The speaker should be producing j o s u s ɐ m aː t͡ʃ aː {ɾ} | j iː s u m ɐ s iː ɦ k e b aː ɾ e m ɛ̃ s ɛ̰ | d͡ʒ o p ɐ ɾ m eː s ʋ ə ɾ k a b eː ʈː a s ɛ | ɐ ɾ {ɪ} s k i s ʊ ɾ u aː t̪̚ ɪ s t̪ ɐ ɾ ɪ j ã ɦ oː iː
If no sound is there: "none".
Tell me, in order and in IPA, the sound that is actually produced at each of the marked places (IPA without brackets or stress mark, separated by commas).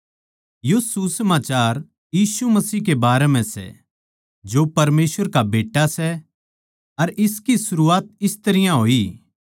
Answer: ɾ, ɪ